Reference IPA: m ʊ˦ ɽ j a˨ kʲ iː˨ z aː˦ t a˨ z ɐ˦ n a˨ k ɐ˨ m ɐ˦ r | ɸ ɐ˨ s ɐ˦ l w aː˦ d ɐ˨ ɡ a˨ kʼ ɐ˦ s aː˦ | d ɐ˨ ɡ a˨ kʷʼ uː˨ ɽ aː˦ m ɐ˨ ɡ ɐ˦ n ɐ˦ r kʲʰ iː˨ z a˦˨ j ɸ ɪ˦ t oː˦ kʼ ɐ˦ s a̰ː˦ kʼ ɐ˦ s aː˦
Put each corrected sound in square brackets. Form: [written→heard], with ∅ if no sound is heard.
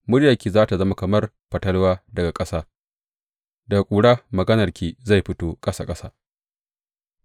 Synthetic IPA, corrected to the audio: m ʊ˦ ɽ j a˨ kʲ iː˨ z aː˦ t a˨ z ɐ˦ [n→m] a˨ k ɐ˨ m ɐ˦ r | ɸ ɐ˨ [s→t] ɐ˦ l w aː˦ d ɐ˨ ɡ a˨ kʼ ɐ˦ s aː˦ | d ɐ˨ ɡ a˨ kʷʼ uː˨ ɽ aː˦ m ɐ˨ ɡ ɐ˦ n [ɐ˦→ɐ˨] r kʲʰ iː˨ z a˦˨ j ɸ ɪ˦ t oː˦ kʼ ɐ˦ s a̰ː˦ kʼ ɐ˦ s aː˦